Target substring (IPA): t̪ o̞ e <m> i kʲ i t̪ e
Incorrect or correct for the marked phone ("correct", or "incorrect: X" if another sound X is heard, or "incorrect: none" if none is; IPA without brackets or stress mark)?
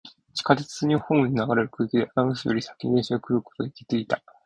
incorrect: none